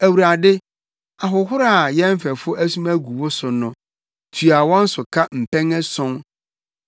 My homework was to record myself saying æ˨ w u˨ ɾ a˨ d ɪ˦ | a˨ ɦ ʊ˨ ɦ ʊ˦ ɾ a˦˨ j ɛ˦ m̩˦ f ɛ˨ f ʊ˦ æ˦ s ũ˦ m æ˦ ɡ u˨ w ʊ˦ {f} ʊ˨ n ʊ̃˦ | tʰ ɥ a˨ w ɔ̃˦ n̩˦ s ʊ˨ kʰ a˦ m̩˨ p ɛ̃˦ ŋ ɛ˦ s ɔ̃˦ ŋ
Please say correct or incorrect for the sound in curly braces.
incorrect